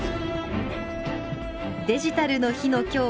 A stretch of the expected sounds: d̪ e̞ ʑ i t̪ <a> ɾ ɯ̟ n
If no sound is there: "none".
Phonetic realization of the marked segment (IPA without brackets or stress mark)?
a